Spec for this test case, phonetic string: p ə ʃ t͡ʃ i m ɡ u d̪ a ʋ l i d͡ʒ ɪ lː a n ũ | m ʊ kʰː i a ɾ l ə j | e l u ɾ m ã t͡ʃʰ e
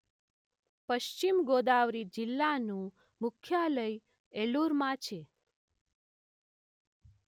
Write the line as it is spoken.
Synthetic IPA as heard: p ə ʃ t͡ʃ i m ɡ o d̪ a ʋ ɾ i d͡ʒ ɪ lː a n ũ | m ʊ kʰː j a l ə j | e l u ɾ m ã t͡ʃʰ e